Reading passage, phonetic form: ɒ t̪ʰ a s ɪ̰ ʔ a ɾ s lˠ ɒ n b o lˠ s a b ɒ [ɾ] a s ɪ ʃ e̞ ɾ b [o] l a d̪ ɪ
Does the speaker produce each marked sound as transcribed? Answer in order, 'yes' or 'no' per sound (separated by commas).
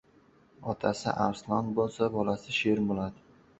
no, yes